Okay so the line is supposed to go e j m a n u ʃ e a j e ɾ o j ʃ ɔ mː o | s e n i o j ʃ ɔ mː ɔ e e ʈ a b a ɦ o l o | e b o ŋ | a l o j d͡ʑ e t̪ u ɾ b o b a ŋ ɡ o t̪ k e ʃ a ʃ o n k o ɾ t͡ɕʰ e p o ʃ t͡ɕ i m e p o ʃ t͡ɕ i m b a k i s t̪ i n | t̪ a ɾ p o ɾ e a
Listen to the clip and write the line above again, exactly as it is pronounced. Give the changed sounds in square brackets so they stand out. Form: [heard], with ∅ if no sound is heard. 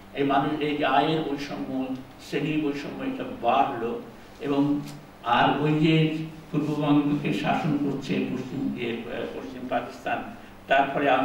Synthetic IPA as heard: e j m a n u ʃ e a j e ɾ o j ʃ ɔ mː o | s e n i o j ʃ ɔ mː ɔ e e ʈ a b a ɦ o l o | e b o ŋ | a [ɾ] o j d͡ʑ e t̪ u ɾ b o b a ŋ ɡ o [∅] k e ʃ a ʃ o n k o ɾ t͡ɕʰ e p o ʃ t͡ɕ i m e p o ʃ t͡ɕ i m [p] a k i s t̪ [a] n | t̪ a ɾ p [ɔ] ɾ e a

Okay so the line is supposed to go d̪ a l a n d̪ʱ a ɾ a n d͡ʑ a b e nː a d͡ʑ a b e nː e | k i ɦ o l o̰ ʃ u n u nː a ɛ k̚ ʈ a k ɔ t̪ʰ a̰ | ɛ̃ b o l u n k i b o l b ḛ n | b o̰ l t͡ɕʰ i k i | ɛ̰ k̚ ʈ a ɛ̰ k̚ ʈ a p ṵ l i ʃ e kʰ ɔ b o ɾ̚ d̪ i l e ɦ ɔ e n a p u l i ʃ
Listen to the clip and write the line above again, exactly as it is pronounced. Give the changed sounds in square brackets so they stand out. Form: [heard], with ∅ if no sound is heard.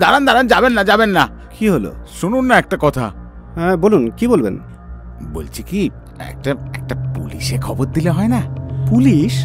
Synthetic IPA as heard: d̪ a [ɾ] a n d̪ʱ a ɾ a n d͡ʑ a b e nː a d͡ʑ a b e nː [a] | k i ɦ o l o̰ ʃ u n u nː a ɛ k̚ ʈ a k ɔ t̪ʰ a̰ | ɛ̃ b o l u n k i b o l b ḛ n | b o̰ l t͡ɕʰ i k i | ɛ̰ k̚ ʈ a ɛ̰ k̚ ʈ a p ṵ l i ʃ e kʰ ɔ b o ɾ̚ d̪ i l e ɦ ɔ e n a p u l i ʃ

